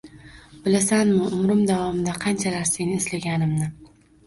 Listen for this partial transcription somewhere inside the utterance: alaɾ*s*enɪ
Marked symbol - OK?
yes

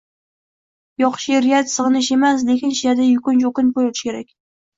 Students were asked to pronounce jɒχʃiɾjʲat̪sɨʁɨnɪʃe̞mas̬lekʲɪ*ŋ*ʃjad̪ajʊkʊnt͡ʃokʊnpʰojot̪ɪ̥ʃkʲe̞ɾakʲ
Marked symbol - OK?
no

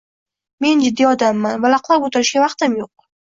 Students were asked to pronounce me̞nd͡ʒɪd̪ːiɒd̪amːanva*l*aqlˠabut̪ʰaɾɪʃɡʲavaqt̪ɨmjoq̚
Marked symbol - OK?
yes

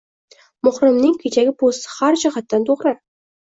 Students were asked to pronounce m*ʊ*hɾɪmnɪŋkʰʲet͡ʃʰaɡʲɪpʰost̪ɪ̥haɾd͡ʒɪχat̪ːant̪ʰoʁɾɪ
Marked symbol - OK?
yes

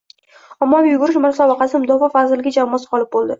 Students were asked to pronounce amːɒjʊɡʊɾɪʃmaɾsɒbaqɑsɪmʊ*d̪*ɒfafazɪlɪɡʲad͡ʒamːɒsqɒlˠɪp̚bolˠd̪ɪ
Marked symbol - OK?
yes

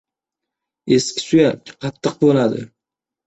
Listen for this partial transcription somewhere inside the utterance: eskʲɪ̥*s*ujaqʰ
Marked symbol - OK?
yes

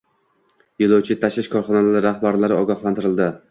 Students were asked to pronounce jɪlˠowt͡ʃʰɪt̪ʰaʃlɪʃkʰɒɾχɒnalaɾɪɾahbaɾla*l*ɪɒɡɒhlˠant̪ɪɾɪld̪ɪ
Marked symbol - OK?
no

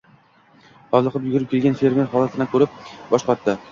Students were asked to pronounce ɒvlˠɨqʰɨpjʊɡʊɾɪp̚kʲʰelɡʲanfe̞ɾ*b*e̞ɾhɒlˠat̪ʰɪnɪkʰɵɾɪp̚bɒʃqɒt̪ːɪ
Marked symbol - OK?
no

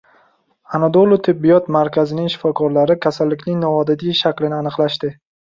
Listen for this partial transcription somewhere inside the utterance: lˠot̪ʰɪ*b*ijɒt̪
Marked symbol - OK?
no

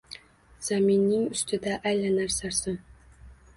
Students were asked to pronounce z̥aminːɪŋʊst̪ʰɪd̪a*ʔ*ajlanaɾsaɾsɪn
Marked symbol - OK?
yes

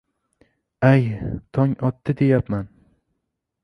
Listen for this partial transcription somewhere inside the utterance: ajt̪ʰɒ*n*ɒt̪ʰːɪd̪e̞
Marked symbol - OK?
no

